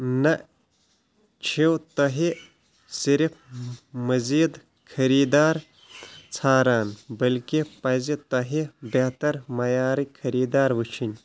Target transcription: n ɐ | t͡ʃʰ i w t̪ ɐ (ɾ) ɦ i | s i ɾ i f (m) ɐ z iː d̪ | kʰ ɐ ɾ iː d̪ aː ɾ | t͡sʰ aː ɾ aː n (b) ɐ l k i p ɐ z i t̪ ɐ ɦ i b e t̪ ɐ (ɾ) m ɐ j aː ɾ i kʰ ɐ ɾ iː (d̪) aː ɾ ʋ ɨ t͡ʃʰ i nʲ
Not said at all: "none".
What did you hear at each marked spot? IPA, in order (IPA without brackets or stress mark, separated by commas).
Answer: none, m, b, ɾ, d̪